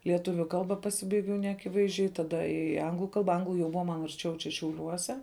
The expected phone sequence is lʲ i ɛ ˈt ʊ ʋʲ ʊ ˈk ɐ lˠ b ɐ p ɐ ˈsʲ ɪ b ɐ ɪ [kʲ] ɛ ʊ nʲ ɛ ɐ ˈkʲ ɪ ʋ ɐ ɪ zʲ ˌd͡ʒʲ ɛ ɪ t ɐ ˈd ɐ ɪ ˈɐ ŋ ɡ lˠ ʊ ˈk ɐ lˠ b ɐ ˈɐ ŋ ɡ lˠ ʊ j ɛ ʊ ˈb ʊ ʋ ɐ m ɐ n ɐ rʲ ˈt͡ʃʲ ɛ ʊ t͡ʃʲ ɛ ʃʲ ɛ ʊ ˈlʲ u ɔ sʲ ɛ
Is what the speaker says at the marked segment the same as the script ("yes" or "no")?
no